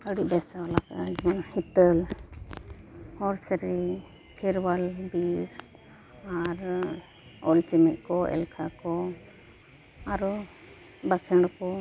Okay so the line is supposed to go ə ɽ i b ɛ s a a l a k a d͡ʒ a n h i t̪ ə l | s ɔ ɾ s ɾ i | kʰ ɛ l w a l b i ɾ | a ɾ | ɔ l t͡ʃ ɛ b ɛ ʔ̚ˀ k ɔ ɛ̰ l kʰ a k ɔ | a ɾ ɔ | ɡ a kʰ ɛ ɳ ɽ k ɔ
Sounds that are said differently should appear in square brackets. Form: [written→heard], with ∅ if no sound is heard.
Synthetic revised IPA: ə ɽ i b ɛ s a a l a k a d͡ʒ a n h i t̪ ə l | [s→h] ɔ ɾ s ɾ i | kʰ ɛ [l→ɾ] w a l b i ɾ | a ɾ | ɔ l t͡ʃ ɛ [b→m] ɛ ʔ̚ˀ k ɔ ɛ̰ l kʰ a k ɔ | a ɾ ɔ | [ɡ→b] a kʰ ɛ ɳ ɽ k ɔ